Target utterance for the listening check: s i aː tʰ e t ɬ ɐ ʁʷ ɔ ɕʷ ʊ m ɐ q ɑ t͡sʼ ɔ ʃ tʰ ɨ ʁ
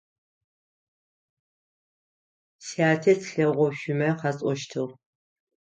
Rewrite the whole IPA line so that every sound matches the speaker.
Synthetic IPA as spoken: s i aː tʰ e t ɬ ɐ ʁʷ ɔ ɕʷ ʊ m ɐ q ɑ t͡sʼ ɔ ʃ tʰ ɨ ʁ